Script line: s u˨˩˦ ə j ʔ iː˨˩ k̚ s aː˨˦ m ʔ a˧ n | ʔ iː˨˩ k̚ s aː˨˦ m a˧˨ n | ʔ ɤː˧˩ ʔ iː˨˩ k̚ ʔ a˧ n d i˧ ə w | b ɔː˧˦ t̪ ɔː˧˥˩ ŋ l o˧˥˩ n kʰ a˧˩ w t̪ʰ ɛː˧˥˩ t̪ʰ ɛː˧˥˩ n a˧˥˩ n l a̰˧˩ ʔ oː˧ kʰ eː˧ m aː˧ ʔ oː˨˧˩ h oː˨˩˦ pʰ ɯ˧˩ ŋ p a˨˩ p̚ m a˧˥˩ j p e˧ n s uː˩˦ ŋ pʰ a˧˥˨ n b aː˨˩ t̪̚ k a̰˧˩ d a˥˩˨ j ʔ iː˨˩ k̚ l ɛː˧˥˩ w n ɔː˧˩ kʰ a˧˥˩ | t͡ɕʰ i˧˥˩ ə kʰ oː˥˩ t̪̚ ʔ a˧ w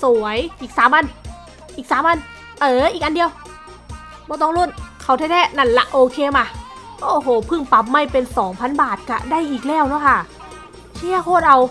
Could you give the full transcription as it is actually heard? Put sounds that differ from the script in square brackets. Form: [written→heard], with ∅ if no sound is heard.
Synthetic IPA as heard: s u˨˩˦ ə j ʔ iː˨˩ k̚ s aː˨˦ m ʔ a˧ n | ʔ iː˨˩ k̚ s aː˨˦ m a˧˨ n | ʔ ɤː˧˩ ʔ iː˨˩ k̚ ʔ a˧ n d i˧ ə w | b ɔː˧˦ t̪ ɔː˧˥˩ ŋ l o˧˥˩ n kʰ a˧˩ w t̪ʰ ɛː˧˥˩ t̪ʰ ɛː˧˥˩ n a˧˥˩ n l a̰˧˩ ʔ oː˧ kʰ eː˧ m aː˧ ʔ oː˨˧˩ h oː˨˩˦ pʰ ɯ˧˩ ŋ p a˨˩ p̚ m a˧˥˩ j p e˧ n s [uː˩˦→ɔː˩˦] ŋ pʰ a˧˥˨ n b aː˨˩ t̪̚ k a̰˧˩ d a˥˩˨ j ʔ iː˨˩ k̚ l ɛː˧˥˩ w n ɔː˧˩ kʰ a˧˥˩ | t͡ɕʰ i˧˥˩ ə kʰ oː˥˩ t̪̚ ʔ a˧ w